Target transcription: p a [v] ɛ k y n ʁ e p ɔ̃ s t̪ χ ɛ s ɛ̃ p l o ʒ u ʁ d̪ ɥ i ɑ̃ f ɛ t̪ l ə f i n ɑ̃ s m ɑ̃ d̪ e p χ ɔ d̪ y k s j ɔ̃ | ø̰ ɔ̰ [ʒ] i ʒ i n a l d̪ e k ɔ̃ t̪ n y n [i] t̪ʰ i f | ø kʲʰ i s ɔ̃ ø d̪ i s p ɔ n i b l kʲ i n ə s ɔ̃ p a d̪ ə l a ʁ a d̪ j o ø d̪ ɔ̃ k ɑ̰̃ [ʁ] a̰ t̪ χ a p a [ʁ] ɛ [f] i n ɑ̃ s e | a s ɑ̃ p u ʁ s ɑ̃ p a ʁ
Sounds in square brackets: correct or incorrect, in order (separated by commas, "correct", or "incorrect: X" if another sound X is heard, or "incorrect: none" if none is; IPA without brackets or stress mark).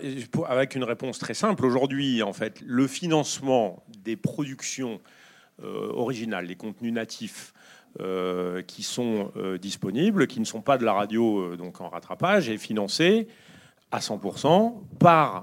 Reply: correct, incorrect: ʁ, incorrect: a, correct, incorrect: ʒ, correct